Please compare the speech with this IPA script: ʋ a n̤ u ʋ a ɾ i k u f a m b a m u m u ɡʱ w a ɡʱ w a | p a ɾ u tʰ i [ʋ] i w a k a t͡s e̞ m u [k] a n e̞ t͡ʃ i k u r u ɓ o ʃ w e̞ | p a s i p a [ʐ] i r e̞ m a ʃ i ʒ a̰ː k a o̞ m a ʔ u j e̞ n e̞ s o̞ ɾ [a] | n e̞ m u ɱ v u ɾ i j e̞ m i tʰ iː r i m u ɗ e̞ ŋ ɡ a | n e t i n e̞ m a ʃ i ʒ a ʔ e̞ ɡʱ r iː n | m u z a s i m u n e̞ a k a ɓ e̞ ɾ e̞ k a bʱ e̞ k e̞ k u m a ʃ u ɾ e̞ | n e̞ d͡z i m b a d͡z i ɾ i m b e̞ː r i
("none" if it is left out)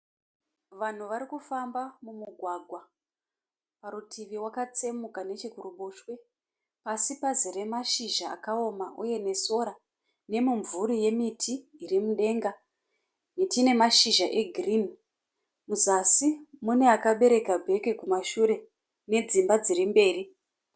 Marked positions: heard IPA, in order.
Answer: ʋ, k, z, a

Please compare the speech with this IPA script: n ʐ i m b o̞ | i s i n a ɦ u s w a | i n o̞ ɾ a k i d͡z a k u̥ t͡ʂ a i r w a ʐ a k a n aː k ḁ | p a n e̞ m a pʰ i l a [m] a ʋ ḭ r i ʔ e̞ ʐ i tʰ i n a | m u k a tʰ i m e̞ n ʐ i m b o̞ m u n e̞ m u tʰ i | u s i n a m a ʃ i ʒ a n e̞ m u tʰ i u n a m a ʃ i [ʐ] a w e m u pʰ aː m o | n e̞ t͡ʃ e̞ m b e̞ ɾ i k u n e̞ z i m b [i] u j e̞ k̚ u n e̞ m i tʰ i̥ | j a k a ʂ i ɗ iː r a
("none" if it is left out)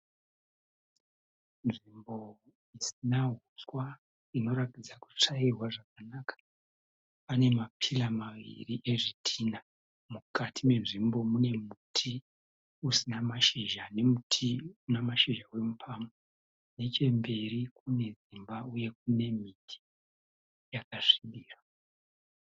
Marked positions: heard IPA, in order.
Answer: m, ʒ, a

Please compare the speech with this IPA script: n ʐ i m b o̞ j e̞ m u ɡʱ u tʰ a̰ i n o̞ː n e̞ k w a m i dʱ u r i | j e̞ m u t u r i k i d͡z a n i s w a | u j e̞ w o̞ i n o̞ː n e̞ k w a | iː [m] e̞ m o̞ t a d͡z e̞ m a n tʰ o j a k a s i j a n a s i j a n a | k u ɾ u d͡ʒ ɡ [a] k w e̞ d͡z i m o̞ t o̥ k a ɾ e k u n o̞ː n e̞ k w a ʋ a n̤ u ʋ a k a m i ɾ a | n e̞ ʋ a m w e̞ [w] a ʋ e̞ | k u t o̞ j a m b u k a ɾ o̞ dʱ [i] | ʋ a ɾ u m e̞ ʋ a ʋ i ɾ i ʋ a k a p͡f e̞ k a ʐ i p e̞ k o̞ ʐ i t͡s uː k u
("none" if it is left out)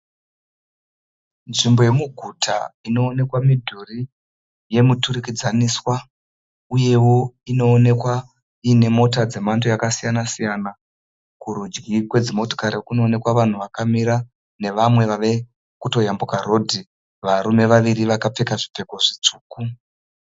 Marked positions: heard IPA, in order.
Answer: n, i, ʋ, i

